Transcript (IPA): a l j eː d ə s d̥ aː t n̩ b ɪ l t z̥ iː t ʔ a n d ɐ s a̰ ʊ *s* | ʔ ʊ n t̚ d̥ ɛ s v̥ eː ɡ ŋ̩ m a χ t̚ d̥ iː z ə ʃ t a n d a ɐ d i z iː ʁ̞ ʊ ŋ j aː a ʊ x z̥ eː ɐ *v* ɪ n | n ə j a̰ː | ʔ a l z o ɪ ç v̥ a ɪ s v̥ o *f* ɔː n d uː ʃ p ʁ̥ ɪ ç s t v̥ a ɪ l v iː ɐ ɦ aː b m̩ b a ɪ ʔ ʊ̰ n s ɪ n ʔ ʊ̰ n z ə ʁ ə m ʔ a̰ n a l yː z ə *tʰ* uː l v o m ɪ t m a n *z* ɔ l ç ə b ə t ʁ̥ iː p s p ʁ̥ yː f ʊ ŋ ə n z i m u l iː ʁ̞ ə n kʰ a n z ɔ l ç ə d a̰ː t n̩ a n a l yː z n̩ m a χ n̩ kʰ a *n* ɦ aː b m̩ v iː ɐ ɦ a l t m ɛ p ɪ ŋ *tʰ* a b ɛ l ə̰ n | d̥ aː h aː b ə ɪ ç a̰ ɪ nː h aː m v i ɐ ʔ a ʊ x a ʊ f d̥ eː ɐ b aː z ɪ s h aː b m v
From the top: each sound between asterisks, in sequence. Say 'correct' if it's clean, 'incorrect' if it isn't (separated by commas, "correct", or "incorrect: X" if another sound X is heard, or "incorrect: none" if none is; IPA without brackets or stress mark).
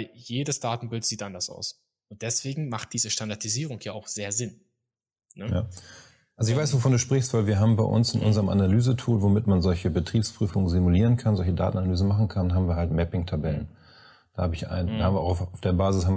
correct, incorrect: z, correct, correct, correct, correct, correct